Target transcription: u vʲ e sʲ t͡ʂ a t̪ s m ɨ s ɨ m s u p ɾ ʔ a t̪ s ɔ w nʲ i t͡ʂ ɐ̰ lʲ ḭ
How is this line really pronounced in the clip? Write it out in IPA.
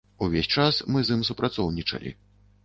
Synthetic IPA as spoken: u vʲ e sʲ t͡ʂ a s m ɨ z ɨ m s u p ɾ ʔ a t̪ s ɔ w nʲ i t͡ʂ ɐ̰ lʲ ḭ